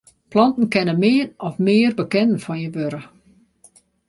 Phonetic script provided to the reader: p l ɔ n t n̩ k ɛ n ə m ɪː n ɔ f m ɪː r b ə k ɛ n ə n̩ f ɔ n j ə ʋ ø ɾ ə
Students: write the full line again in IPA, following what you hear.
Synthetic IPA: p l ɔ n t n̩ k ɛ n ə m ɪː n ɔ f m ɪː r b ə k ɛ n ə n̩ f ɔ n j ə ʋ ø ɾ ə